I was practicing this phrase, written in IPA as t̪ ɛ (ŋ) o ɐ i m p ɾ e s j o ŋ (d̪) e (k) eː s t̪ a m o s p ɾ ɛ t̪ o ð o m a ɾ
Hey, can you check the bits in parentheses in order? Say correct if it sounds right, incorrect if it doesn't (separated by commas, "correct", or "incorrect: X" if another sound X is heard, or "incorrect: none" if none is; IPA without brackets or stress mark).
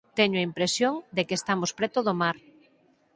incorrect: ɲ, correct, correct